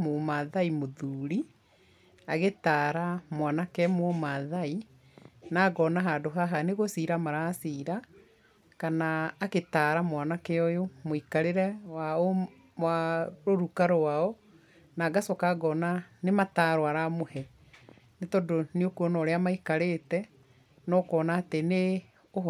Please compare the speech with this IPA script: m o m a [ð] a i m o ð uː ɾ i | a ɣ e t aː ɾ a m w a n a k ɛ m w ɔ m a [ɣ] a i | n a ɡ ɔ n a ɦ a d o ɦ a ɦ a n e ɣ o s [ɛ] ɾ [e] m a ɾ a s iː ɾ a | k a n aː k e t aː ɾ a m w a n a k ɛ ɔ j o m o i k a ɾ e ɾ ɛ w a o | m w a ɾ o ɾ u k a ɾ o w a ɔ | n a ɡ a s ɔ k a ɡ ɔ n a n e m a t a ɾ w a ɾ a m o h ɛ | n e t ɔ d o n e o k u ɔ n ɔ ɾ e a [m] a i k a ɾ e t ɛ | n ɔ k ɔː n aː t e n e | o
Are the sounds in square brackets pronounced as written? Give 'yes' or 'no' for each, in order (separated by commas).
yes, no, no, no, yes